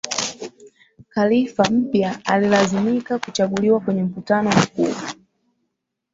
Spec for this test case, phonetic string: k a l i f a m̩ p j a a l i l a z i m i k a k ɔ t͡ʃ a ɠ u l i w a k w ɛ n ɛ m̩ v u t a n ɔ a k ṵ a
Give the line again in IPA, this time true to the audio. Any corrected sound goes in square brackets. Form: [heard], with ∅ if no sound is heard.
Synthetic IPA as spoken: k a l i f a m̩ p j a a l i l a z i m i k a k [u] t͡ʃ a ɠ u l i w a k w ɛ [ɲ] ɛ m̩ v u t a n ɔ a k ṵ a